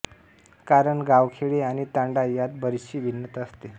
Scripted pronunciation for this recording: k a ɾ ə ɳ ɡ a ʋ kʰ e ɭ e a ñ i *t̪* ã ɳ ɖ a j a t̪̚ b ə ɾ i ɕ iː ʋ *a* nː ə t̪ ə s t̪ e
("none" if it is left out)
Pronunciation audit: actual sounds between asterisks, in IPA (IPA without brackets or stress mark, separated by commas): t̪, i